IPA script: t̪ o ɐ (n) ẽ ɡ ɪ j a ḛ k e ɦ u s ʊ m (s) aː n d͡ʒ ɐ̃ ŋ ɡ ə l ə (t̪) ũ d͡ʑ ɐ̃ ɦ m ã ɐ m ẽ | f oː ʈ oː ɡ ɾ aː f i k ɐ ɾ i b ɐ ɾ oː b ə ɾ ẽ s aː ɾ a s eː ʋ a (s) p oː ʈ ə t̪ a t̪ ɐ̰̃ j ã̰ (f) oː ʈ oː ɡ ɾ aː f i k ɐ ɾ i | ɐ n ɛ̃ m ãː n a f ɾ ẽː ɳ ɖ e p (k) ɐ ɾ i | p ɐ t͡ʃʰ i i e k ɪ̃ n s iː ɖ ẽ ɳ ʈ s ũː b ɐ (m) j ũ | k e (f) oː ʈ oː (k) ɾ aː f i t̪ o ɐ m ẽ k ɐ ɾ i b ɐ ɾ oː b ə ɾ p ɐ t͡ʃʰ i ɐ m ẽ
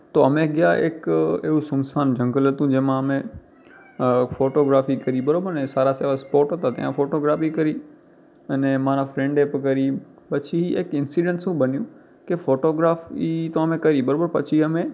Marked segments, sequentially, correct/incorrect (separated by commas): incorrect, correct, correct, correct, correct, correct, incorrect, correct, incorrect